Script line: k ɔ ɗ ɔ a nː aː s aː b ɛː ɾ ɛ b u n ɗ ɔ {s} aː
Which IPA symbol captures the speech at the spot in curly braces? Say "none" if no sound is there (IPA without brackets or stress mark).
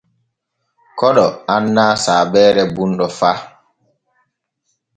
f